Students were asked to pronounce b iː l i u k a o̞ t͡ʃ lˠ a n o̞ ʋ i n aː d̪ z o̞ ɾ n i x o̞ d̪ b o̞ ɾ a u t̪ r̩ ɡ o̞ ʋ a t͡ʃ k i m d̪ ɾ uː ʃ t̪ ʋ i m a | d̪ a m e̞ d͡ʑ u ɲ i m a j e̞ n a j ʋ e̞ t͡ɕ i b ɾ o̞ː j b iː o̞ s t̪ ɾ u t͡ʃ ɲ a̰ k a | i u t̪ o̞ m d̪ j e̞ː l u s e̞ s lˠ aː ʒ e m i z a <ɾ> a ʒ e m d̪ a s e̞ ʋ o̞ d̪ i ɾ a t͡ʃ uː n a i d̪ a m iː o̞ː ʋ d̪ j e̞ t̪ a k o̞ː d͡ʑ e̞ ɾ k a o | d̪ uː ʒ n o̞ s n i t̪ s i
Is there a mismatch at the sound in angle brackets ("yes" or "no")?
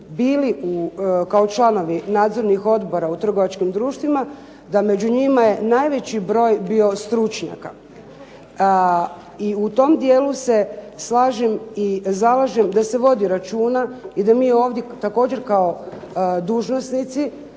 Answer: yes